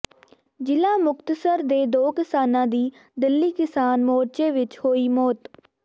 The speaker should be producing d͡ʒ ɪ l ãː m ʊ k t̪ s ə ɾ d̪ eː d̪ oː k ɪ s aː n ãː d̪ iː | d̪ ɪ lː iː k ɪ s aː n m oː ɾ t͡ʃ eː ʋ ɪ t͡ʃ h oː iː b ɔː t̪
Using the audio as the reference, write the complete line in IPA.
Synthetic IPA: d͡ʒ ɪ l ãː m ʊ k t̪ s ə ɾ d̪ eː d̪ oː k ɪ s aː n ãː d̪ iː | d̪ ɪ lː iː k ɪ s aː n m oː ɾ t͡ʃ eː ʋ ɪ t͡ʃ h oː iː m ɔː t̪